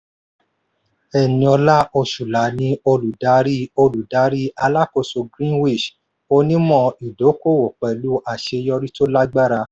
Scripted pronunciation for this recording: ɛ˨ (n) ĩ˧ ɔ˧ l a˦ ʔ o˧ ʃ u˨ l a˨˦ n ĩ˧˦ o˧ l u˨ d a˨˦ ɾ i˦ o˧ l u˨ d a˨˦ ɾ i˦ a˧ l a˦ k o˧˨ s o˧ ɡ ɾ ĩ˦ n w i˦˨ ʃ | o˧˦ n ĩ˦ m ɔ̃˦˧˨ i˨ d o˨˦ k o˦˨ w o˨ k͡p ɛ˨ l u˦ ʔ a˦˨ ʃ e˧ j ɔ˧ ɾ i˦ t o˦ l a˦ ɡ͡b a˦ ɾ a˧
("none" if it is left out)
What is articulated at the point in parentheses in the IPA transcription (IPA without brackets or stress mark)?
n